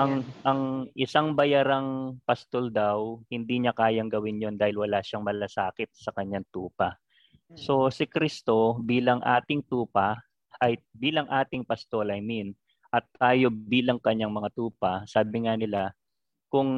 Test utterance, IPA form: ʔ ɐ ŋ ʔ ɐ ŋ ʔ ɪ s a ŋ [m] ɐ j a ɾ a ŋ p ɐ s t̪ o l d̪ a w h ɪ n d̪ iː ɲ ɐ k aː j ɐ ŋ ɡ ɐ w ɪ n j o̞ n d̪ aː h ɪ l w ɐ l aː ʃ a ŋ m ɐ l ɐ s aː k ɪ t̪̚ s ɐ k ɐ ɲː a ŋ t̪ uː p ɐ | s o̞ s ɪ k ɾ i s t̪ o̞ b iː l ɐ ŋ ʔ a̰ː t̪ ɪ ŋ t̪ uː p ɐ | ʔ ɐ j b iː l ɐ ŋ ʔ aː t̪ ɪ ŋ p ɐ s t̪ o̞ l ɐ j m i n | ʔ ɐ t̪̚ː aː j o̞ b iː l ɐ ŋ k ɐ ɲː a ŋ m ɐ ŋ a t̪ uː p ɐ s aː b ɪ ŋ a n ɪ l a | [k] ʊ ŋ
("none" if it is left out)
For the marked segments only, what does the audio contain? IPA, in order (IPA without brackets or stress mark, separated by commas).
b, k